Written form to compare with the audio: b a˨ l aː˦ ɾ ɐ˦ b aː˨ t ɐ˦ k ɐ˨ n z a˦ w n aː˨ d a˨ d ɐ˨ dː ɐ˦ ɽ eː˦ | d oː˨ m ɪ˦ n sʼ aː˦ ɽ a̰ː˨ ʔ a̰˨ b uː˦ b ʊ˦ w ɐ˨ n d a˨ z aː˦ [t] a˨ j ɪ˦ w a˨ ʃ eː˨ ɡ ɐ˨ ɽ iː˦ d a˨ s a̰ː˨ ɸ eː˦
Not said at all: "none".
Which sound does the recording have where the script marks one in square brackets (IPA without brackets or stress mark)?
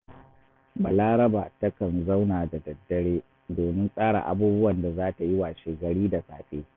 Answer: t